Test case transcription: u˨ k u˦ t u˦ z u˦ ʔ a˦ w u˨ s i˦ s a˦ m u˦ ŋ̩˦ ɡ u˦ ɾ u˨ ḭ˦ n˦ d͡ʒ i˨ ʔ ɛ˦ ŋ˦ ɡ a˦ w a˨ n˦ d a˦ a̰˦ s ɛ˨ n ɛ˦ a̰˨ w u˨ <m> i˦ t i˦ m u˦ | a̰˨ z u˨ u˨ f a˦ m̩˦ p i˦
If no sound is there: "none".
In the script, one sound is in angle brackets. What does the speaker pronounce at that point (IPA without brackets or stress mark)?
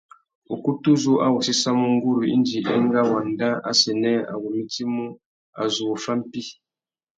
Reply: m